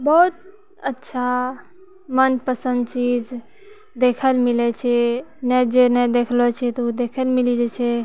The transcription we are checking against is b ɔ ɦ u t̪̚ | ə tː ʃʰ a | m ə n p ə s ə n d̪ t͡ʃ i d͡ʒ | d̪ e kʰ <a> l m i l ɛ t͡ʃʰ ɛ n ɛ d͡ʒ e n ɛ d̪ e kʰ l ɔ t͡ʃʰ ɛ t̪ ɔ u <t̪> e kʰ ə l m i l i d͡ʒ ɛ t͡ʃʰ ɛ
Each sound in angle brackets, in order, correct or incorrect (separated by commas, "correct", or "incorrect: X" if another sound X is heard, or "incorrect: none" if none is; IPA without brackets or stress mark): incorrect: ə, incorrect: d̪